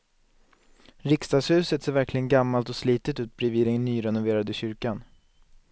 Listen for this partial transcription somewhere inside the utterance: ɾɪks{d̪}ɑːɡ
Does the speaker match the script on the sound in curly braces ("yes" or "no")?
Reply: no